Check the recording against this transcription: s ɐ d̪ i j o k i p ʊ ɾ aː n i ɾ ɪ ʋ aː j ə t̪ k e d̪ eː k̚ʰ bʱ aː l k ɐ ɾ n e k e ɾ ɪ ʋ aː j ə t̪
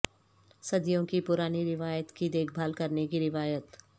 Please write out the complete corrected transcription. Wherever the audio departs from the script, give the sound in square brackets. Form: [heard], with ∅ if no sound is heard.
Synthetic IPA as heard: s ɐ d̪ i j [õ] k i p ʊ ɾ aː n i ɾ ɪ ʋ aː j ə t̪ k [i] d̪ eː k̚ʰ bʱ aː l k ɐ ɾ n e k [i] ɾ ɪ ʋ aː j ə t̪

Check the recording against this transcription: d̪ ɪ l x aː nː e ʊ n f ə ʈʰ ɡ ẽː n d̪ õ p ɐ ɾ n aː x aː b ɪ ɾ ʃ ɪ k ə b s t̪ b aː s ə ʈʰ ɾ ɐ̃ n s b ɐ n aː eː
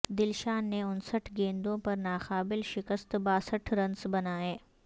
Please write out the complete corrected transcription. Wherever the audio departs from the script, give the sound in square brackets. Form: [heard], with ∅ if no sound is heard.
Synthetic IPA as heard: d̪ ɪ l [ʃ] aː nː e ʊ n [s] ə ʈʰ ɡ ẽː n d̪ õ p ɐ ɾ n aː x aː b ɪ [l] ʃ ɪ k ə [∅] s t̪ b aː s ə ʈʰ ɾ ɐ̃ n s b ɐ n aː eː

